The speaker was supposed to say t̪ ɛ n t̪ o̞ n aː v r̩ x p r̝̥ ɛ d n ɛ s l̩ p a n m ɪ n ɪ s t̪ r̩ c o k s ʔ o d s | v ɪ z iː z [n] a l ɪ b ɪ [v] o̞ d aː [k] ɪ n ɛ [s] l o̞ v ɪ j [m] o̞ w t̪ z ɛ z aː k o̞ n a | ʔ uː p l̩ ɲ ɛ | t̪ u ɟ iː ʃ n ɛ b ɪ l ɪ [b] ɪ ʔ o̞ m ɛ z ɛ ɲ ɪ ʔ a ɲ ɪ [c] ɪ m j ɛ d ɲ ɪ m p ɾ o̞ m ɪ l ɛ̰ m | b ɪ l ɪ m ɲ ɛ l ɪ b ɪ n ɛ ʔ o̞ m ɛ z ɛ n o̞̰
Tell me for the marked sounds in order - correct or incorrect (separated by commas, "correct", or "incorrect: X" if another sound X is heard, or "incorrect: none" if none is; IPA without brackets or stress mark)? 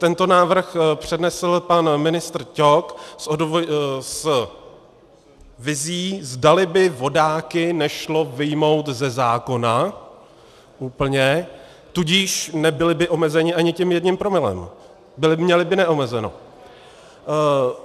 incorrect: d, correct, correct, incorrect: ʃ, correct, correct, correct